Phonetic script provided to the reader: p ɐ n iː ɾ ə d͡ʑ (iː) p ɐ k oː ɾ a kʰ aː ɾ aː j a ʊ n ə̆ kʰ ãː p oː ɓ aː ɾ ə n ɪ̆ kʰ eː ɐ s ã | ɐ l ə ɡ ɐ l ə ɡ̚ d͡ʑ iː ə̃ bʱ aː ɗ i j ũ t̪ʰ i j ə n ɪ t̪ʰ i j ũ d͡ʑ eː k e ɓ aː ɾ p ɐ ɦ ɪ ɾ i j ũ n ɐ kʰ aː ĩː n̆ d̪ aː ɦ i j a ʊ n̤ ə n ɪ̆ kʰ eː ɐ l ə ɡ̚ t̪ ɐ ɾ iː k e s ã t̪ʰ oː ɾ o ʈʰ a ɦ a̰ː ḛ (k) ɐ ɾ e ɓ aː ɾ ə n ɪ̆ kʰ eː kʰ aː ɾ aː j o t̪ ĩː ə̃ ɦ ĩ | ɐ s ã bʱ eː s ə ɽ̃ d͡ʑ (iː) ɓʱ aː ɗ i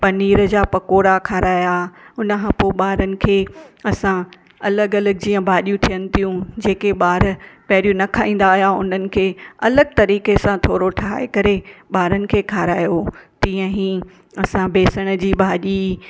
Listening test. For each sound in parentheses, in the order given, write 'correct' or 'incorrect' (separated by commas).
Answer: incorrect, correct, correct